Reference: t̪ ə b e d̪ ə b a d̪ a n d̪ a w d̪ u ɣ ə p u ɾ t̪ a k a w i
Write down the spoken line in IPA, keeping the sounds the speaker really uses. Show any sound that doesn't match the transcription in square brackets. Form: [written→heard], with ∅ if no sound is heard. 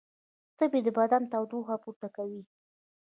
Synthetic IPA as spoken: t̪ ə b e d̪ ə b a d̪ a n [d̪→t̪] a w d̪ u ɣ [ə→a] p u ɾ t̪ a k a w i